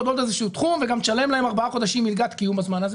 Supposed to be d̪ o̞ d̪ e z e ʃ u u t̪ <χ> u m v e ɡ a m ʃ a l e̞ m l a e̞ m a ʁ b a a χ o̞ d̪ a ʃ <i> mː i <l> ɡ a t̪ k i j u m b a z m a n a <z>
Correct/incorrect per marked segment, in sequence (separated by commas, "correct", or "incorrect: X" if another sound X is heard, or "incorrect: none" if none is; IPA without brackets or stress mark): correct, correct, correct, correct